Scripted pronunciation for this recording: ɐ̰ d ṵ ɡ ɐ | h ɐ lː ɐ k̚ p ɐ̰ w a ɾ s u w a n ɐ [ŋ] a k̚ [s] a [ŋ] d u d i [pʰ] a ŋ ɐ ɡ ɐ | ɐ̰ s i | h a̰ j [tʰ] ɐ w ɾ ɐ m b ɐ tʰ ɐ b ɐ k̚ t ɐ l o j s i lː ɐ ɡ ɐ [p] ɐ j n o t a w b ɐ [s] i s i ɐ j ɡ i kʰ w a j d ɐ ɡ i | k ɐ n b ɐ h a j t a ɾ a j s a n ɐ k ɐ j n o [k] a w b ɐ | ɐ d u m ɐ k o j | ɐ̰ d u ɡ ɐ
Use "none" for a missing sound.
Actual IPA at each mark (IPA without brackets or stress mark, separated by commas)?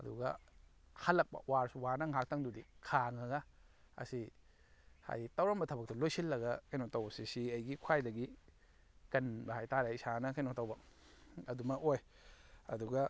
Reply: ŋ, t, ŋ, kʰ, t, k, s, t